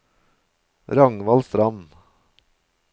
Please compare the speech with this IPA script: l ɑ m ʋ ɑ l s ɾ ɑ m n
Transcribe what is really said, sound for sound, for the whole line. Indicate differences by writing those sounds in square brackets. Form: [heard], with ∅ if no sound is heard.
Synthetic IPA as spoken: [ɾ] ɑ [ŋ] ʋ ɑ l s ɾ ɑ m n